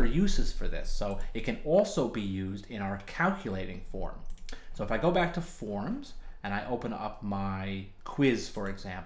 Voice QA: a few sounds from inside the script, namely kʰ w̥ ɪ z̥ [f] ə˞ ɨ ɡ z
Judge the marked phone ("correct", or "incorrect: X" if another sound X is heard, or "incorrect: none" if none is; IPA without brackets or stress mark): correct